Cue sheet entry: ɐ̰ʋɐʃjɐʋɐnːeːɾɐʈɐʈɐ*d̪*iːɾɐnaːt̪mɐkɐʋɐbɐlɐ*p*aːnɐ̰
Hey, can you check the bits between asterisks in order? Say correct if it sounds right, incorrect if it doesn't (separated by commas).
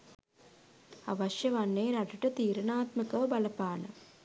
incorrect, correct